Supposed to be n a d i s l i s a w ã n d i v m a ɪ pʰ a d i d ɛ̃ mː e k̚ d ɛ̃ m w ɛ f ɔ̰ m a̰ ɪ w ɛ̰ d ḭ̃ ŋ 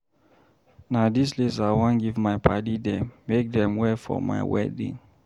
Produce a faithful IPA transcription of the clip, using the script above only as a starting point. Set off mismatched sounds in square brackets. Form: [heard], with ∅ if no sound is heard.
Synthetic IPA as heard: n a d i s l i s a w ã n [ɡ] i v m a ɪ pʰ a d i d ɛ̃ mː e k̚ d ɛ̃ m w ɛ f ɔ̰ m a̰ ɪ w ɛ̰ d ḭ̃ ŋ